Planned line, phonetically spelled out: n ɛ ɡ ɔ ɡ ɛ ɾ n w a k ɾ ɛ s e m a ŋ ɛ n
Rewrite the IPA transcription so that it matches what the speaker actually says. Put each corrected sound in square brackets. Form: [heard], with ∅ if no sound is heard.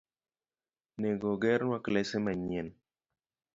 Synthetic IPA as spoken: n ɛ ɡ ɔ ɡ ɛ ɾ n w a k [l] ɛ s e m a [ɲ] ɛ n

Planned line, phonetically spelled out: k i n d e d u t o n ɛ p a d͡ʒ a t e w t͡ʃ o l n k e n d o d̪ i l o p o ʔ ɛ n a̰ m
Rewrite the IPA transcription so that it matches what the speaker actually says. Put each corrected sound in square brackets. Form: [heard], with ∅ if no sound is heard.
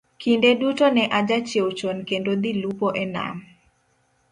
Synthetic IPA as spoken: k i n d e d u t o n ɛ [ʔ] a d͡ʒ a [t͡ʃ] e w t͡ʃ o [∅] n k e n d o d̪ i l [u] p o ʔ ɛ n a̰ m

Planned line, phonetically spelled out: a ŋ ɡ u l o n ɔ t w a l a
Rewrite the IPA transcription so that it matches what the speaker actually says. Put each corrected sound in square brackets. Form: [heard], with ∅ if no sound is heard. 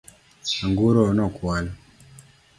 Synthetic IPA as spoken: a ŋ ɡ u [ɾ] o n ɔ [k] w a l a

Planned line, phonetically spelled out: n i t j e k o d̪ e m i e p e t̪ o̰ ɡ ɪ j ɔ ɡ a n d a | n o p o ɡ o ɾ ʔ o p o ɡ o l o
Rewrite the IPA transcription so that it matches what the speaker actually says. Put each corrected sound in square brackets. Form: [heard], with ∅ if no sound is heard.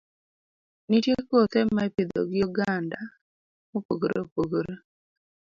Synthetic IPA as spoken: n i t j e k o [t̪] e m [a] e p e [d̪] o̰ ɡ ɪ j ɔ ɡ a n d a | [m] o p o ɡ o ɾ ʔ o p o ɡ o [ɾ] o

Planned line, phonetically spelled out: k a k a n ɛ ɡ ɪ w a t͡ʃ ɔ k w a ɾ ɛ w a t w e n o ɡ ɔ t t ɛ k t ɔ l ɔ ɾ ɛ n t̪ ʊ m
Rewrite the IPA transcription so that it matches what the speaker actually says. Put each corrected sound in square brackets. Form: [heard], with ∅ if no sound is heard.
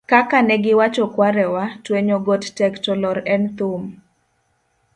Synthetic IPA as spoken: k a k a n ɛ ɡ ɪ w a t͡ʃ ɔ k w a ɾ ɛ w a t w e [ɲ] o ɡ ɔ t t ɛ k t ɔ l ɔ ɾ ɛ n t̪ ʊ m

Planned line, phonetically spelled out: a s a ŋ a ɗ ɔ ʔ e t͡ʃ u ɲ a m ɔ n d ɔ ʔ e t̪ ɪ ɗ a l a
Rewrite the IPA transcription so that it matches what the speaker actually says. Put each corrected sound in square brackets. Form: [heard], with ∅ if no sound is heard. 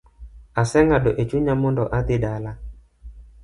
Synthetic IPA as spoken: a s [ɛ] ŋ a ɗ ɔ ʔ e t͡ʃ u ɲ a m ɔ n d ɔ ʔ [a] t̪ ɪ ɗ a l a

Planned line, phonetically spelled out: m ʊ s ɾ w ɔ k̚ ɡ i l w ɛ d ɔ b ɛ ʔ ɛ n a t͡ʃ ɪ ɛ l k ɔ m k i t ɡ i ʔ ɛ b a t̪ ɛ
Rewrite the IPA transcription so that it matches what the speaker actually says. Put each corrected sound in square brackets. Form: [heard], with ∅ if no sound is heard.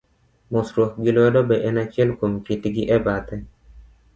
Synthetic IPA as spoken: m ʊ s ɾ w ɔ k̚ ɡ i l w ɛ d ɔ b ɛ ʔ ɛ n a t͡ʃ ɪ ɛ l k [o] m k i t ɡ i ʔ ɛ b a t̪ ɛ

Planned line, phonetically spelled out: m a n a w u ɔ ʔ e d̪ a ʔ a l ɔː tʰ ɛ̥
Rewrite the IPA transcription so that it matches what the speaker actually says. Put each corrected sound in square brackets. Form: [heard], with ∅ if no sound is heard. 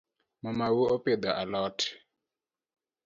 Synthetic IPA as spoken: m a [m] a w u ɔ [p] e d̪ a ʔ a l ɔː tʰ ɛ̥

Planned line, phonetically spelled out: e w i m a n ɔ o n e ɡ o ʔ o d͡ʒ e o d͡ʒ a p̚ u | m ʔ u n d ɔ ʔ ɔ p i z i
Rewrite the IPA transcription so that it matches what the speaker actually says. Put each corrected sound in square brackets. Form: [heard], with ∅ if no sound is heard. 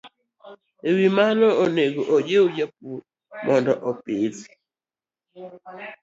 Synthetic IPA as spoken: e w i m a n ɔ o n e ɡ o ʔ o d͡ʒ e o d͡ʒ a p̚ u | m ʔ [ɔ] n d ɔ ʔ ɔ p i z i

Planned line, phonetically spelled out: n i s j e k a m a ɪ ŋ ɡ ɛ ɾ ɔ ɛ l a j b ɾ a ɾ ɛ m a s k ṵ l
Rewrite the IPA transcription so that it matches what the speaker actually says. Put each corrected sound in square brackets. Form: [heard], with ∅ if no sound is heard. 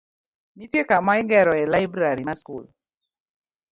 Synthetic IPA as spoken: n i [t] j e k a m a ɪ ŋ ɡ ɛ ɾ ɔ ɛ l a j b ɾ a ɾ [i] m a s k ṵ l

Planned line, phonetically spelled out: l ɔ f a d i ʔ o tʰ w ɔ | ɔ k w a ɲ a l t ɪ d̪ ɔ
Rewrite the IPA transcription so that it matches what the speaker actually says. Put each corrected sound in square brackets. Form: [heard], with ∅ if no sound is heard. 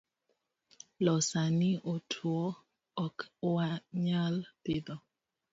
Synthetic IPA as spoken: l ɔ [s] a [n] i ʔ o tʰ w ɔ | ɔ k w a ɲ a l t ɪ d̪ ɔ

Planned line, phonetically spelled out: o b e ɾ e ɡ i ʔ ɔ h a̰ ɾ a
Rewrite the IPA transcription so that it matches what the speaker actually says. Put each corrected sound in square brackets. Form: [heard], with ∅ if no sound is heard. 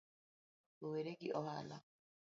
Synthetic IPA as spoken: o [w] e ɾ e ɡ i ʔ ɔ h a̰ [l] a

